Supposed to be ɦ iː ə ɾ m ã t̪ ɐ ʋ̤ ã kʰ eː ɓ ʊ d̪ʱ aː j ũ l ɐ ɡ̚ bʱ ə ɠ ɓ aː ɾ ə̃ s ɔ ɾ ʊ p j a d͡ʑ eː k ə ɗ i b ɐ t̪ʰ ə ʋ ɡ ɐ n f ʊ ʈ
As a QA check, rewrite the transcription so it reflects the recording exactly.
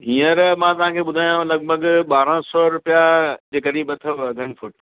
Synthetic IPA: ɦ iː ə ɾ m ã t̪ ɐ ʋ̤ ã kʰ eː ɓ ʊ d̪ʱ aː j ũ l ɐ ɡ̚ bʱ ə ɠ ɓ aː ɾ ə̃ s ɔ ɾ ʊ p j a d͡ʑ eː k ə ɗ i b ɐ t̪ʰ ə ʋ ɡ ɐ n f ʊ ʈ